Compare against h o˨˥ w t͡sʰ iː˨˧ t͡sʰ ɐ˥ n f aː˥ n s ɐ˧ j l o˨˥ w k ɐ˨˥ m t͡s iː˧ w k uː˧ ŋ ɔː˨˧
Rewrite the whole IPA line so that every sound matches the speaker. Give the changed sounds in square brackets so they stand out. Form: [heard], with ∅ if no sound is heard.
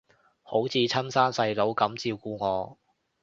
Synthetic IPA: h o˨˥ w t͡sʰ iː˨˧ t͡sʰ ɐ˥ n [s] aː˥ n s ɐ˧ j l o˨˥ w k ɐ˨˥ m t͡s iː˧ w k uː˧ ŋ ɔː˨˧